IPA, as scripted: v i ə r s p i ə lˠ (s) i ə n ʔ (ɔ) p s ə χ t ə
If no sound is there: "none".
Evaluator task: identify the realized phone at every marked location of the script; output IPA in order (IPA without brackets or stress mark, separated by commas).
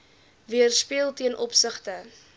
t, ɔ